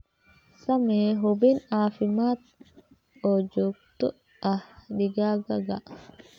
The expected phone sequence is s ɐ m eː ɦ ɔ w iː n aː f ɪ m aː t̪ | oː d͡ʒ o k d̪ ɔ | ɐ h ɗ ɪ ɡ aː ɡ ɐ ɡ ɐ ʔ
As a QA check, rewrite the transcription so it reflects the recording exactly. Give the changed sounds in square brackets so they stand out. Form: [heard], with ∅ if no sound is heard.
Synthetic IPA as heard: s ɐ m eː ɦ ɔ [b] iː n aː f ɪ m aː t̪ | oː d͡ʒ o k [t̪] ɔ | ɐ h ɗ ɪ ɡ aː ɡ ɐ ɡ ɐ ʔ